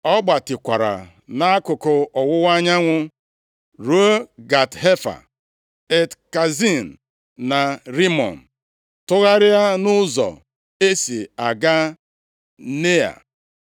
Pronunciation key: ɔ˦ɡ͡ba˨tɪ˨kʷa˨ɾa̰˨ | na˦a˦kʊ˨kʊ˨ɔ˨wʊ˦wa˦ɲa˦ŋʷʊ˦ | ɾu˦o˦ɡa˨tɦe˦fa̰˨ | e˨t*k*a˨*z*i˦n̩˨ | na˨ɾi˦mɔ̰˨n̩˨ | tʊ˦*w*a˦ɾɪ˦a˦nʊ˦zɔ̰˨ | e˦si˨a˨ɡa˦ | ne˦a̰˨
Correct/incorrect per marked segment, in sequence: correct, correct, incorrect: ɣ

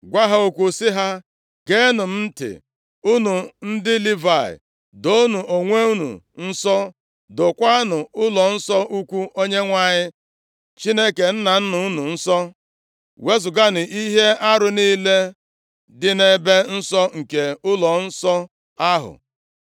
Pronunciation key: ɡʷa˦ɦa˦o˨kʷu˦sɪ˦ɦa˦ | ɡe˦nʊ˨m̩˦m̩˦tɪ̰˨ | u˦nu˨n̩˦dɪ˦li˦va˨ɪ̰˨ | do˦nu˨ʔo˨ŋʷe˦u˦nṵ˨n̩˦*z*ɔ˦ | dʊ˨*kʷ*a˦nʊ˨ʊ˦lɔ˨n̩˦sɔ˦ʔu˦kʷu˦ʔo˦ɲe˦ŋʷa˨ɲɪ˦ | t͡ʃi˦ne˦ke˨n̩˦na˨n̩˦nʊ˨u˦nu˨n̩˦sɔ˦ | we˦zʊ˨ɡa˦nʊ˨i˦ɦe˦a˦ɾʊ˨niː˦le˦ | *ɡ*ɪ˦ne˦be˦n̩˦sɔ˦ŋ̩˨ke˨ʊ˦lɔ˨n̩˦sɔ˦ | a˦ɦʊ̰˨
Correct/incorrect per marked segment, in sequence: incorrect: s, correct, incorrect: d

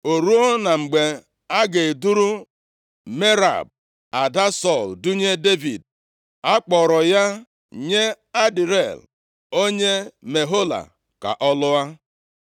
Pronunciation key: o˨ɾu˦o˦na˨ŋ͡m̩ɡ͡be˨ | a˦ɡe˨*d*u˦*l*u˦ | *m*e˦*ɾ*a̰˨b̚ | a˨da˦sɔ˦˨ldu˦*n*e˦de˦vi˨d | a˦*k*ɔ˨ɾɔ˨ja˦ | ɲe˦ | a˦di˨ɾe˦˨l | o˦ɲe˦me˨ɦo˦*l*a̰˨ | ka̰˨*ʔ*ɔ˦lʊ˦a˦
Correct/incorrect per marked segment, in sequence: correct, incorrect: ɾ, correct, correct, incorrect: ɲ, incorrect: k͡p, correct, correct

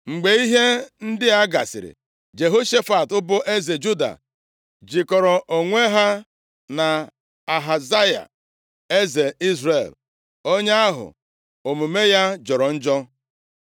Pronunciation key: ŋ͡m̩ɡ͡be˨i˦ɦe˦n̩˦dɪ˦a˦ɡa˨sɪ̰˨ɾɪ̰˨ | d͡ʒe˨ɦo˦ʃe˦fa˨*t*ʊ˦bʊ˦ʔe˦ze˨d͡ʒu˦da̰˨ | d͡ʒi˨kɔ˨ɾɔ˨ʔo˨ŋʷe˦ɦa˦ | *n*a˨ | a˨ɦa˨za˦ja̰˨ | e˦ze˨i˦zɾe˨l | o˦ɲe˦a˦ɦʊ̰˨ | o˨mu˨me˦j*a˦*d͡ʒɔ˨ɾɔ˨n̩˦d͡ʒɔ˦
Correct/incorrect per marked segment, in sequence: correct, correct, correct

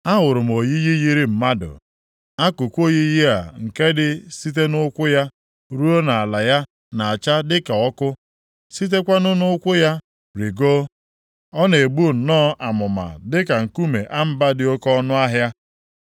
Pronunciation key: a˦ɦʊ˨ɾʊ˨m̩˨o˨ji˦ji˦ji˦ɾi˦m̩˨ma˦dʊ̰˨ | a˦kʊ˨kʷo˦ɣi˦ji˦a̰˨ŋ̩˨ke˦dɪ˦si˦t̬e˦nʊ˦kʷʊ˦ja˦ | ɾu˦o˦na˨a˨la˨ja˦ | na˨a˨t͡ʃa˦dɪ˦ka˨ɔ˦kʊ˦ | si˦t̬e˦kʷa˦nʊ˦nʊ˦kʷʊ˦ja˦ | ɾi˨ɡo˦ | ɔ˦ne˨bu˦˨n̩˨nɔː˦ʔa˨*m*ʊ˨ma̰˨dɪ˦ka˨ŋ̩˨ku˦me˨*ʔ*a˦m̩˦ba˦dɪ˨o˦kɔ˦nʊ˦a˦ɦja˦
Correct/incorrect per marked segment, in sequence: correct, correct

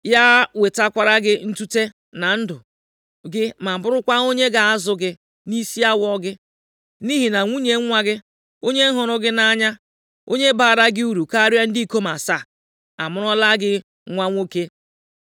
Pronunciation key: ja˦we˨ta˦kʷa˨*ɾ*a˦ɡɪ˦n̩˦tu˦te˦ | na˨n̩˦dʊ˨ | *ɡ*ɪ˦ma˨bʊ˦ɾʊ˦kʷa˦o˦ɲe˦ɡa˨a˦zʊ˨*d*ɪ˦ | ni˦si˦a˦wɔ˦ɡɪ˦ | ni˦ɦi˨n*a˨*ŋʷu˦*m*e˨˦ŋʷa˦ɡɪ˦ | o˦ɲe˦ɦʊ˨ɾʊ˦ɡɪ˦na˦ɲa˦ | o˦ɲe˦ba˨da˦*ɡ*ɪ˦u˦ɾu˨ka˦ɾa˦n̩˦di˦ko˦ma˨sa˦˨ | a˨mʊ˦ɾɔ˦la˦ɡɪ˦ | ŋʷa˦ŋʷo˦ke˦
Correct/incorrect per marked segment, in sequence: correct, correct, incorrect: ɡ, correct, incorrect: ɲ, correct

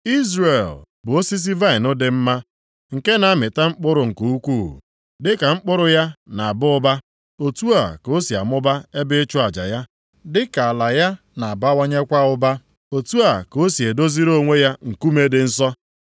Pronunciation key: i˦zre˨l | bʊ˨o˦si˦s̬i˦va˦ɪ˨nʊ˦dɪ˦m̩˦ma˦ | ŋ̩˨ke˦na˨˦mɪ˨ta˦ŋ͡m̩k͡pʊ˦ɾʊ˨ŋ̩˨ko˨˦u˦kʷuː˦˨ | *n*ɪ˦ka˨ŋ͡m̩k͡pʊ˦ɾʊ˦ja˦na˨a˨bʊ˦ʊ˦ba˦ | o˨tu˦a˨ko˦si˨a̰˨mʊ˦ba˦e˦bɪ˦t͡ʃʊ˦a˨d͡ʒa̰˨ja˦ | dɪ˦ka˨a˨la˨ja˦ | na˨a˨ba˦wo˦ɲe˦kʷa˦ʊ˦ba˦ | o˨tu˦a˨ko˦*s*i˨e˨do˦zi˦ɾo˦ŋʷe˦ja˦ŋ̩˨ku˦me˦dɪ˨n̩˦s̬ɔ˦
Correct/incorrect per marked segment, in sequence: incorrect: d, correct

